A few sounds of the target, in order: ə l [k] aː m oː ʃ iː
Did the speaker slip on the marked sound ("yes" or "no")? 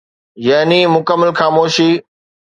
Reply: yes